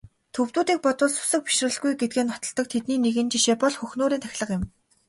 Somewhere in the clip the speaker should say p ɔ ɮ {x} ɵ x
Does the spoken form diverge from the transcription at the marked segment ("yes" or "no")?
no